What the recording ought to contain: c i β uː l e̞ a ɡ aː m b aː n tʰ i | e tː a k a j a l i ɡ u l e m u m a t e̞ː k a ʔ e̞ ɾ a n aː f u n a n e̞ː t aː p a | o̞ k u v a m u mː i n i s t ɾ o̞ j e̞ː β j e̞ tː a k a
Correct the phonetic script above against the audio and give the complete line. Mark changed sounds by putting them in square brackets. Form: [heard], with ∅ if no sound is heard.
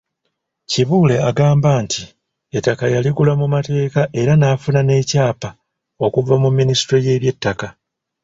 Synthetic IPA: c i β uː l e̞ a ɡ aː m b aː n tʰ i | e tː a k a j a l i ɡ u l [a] m u m a t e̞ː k a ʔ e̞ ɾ a n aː f u n a n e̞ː [c] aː p a | o̞ k u v a m u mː i n i s t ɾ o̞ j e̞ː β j e̞ tː a k a